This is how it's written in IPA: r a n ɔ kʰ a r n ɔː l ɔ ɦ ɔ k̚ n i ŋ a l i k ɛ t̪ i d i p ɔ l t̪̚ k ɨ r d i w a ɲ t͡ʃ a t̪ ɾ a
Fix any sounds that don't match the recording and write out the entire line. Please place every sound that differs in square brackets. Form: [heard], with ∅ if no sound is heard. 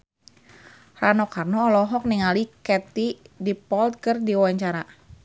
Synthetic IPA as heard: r a n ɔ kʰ a r n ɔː l ɔ ɦ ɔ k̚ n i ŋ a l i k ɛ t̪ i d i p ɔ l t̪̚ k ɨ r d i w a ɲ t͡ʃ a [∅] ɾ a

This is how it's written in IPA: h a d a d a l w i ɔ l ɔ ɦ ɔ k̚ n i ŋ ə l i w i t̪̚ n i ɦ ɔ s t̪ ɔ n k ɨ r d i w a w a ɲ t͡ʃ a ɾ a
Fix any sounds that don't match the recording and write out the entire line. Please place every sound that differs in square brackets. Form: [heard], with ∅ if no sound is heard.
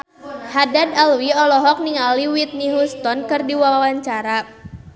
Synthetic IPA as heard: h a d a d a l w i ɔ l ɔ ɦ ɔ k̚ n i ŋ [a] l i w i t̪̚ n i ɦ [u] s t̪ ɔ n k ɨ r d i w a w a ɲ t͡ʃ a ɾ a

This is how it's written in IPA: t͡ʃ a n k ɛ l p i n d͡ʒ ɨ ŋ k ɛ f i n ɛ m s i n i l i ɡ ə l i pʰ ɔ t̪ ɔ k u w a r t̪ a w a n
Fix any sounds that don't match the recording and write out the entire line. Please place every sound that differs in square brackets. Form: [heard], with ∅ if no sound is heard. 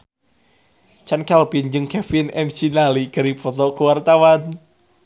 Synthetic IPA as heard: t͡ʃ a n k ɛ l p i n d͡ʒ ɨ ŋ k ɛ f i n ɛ m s i n [a] l i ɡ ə [ɾ] i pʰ ɔ t̪ ɔ k u w a r t̪ a w a n

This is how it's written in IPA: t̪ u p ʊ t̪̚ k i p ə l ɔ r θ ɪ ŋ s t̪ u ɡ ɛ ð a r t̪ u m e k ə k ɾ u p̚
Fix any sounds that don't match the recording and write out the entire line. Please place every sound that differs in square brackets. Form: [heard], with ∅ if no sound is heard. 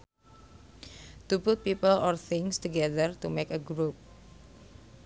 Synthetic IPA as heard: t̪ u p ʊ t̪̚ [p] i p ə l ɔ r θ ɪ ŋ s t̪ u ɡ ɛ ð [ə] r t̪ u m e k ə [ɡ] ɾ u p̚

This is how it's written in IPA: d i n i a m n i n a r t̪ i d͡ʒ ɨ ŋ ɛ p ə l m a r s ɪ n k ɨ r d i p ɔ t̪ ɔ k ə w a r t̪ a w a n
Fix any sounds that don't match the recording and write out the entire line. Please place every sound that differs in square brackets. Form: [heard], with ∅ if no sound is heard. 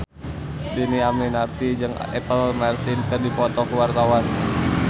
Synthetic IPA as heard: d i n i a m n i n a r t̪ i d͡ʒ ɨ ŋ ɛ p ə l m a r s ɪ n k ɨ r d i p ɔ t̪ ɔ k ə w a r t̪ a w a n

